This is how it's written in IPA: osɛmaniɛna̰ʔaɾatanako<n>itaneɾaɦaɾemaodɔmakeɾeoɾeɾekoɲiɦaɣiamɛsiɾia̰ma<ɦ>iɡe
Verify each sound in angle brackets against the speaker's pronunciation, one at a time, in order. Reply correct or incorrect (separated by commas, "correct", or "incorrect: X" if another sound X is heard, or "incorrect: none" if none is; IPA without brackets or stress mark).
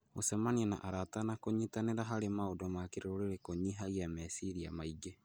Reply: incorrect: ɲ, incorrect: none